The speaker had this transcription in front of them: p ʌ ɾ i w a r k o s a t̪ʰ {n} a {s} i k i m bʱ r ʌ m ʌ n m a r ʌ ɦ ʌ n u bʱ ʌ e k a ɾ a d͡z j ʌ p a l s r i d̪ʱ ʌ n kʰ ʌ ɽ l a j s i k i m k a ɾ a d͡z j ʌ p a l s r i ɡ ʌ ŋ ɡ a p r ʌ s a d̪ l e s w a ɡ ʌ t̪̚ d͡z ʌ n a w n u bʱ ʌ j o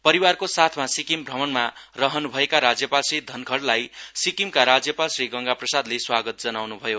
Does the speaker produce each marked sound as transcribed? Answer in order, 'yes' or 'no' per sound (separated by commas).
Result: no, yes